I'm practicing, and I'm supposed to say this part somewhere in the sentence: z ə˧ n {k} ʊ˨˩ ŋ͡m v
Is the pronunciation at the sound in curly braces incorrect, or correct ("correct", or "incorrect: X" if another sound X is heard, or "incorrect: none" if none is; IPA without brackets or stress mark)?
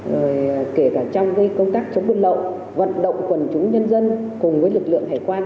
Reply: correct